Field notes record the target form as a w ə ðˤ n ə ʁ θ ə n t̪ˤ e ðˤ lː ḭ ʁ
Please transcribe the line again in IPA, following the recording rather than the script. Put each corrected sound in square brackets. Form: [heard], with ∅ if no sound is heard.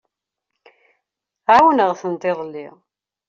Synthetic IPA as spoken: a w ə [∅] n ə ʁ θ ə n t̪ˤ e ðˤ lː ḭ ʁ